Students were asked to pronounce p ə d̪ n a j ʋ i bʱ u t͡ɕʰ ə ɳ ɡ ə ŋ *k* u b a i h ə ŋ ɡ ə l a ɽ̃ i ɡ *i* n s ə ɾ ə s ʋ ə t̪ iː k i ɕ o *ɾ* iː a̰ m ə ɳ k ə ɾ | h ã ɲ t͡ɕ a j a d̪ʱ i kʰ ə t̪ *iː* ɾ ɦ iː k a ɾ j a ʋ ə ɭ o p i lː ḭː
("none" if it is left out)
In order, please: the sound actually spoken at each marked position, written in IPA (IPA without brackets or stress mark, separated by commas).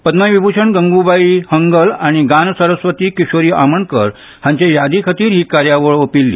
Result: ɡ, a, ɾ, iː